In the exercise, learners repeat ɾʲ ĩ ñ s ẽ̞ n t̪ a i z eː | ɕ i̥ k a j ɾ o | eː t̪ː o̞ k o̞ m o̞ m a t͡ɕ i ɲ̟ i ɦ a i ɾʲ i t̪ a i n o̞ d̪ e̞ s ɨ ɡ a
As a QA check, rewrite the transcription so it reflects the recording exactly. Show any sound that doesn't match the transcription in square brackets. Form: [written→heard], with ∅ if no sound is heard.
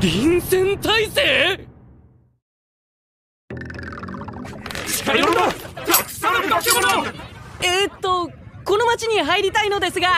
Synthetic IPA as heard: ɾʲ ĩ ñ s ẽ̞ n t̪ a i [z→s] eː | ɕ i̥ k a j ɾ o | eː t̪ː o̞ k o̞ [m→n] o̞ m a t͡ɕ i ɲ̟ i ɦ a i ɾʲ i t̪ a i n o̞ d̪ e̞ s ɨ ɡ a